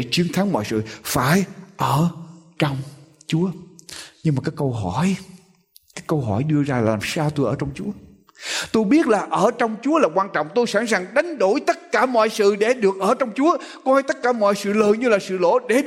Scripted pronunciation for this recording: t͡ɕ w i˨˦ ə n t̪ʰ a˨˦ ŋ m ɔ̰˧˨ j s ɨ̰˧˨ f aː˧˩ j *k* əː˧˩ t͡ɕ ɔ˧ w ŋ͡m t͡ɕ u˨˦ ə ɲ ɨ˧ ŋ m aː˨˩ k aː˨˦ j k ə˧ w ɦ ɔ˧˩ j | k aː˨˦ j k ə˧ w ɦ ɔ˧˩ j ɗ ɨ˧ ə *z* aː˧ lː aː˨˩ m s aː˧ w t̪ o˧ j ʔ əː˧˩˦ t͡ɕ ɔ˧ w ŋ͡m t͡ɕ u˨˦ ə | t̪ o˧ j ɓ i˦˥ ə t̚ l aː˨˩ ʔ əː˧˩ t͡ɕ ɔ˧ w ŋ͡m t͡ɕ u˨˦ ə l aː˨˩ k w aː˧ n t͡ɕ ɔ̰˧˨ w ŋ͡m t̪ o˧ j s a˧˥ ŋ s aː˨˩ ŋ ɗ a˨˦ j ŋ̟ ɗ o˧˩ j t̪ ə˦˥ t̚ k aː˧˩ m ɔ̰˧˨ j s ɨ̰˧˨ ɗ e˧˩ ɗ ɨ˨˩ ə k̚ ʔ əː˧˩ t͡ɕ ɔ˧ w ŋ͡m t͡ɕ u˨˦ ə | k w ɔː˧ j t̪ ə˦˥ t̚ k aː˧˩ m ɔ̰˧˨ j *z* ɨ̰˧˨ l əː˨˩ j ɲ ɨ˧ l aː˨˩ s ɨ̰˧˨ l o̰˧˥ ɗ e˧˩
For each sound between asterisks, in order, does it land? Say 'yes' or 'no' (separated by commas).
no, yes, no